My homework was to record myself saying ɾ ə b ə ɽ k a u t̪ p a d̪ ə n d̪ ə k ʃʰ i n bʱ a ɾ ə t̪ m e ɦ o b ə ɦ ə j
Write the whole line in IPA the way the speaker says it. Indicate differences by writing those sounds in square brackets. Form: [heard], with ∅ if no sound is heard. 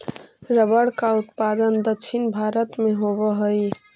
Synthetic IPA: ɾ ə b ə ɽ k a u t̪ p a d̪ ə n d̪ ə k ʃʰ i n bʱ a ɾ ə t̪ m e ɦ o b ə ɦ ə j

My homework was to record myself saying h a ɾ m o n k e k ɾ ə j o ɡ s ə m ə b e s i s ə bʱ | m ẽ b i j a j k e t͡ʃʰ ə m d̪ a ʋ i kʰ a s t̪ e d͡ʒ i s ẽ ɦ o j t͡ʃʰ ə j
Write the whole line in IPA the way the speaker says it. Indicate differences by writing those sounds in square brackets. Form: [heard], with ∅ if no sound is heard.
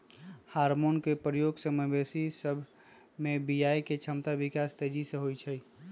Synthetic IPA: h a ɾ m o n k e [p] ɾ ə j o ɡ s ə m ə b e s i s ə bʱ | m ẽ b i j a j k e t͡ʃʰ ə m [t̪] a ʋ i [k] a s t̪ e d͡ʒ i s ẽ ɦ o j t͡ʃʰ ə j

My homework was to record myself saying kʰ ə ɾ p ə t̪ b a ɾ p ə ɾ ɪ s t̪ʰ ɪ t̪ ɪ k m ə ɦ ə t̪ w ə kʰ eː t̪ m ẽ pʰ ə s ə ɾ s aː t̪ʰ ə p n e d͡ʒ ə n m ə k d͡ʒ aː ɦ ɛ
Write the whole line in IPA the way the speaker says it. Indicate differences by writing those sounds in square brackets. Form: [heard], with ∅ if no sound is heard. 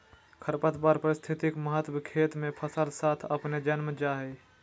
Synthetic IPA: kʰ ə ɾ p ə t̪ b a ɾ p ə ɾ ɪ s t̪ʰ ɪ t̪ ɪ k m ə ɦ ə t̪ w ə kʰ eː t̪ m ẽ pʰ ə s ə [l] s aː t̪ʰ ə p n e d͡ʒ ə n m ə [∅] d͡ʒ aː ɦ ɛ

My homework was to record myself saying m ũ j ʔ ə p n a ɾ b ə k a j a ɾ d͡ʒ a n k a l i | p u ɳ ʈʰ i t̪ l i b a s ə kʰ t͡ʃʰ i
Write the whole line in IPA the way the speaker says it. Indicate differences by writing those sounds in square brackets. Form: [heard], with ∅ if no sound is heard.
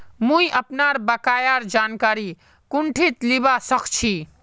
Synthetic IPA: m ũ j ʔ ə p n a ɾ b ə k a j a ɾ d͡ʒ a n k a [ɾ] i | [k] u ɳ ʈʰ i t̪ l i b a s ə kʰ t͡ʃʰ i

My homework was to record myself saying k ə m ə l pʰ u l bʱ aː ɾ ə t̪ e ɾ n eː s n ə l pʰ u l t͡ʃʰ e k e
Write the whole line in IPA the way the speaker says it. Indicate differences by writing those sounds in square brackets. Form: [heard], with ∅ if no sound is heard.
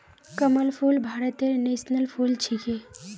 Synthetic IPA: k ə m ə l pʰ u l bʱ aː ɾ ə t̪ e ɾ n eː s n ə l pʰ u l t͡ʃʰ [i] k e

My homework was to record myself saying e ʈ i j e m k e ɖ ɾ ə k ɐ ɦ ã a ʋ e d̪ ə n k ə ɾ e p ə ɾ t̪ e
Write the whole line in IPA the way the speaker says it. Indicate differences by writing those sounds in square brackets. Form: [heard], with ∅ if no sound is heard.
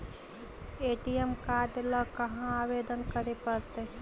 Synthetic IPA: e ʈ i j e m k [a] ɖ [l] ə k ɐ ɦ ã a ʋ e d̪ ə n k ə ɾ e p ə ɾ t̪ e

